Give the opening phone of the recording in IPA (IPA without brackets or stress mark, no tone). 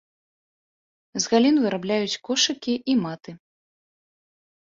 z